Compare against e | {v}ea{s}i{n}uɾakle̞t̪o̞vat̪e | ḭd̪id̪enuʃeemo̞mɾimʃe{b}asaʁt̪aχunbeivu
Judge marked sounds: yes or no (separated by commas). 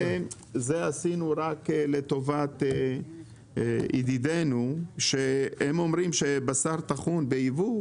no, yes, yes, yes